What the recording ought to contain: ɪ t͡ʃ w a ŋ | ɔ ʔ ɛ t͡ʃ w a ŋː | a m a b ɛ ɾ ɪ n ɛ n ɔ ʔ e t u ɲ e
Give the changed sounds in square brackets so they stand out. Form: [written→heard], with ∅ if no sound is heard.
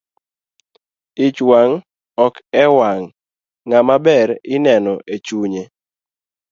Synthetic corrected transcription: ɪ t͡ʃ w a ŋ | ɔ [ʔ→k] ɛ [t͡ʃ→∅] w a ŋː | a m a b ɛ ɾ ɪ n ɛ n ɔ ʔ e [t→t͡ʃ] u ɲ e